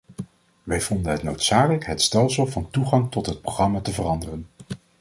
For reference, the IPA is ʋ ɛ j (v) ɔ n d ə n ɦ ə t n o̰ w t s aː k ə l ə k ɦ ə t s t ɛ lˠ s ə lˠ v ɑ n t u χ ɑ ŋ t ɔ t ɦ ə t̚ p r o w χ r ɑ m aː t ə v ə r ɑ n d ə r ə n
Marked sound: correct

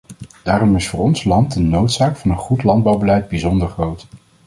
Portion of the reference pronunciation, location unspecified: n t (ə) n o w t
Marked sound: correct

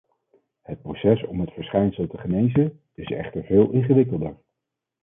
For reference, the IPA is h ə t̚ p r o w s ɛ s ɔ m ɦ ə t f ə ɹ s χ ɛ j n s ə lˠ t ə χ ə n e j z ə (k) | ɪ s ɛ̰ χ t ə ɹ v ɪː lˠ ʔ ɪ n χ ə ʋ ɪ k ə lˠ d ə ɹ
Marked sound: incorrect: none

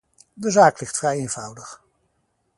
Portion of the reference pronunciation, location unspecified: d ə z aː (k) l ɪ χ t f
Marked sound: correct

